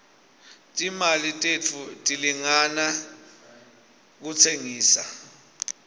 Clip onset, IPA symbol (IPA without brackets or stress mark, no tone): tʼ